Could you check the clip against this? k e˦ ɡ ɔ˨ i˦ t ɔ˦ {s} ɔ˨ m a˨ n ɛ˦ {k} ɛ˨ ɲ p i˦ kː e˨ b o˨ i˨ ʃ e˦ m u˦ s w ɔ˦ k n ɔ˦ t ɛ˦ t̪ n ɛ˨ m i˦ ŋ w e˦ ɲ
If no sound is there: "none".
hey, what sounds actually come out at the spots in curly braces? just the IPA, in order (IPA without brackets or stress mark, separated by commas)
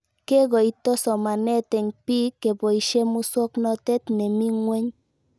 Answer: s, t